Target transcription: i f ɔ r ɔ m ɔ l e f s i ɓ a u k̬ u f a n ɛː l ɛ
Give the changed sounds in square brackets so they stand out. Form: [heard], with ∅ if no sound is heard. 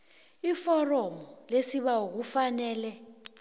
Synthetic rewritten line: i f ɔ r ɔ m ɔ l e [∅] s i ɓ a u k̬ u f a n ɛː l ɛ